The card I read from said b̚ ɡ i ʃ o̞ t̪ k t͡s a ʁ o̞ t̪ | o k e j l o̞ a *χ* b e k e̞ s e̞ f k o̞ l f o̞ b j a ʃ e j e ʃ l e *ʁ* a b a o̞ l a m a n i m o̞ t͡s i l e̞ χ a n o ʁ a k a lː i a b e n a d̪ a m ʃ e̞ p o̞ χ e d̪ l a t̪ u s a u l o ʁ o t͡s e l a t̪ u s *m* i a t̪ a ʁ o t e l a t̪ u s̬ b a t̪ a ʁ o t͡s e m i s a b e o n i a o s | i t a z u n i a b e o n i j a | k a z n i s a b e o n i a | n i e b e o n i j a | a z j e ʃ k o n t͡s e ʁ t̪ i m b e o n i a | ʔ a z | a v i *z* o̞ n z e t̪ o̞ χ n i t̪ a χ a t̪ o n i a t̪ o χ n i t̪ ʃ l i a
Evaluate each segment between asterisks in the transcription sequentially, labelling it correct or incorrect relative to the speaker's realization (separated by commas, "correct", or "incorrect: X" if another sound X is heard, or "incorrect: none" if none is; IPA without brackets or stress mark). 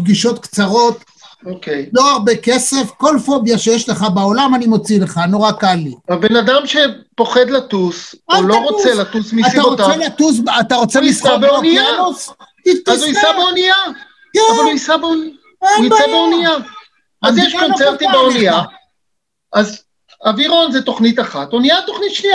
incorrect: ʁ, incorrect: χ, correct, incorrect: ʁ